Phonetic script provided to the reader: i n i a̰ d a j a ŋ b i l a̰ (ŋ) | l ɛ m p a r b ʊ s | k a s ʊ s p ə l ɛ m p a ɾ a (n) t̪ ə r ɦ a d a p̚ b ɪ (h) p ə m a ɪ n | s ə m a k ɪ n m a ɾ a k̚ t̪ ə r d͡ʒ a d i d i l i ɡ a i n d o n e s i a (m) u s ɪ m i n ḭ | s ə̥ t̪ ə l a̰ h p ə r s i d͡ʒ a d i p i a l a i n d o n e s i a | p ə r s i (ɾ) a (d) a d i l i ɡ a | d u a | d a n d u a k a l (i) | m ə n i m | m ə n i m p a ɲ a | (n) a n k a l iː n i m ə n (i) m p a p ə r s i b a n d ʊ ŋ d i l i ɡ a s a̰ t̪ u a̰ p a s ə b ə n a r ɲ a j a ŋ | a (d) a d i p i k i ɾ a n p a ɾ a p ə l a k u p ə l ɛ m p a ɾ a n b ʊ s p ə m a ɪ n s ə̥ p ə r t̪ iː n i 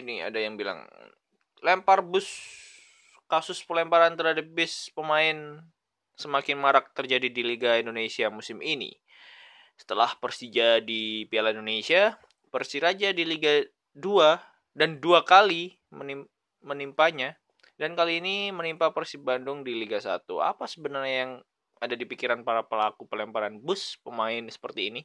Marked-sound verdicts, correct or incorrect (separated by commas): correct, correct, incorrect, correct, correct, incorrect, correct, incorrect, correct, correct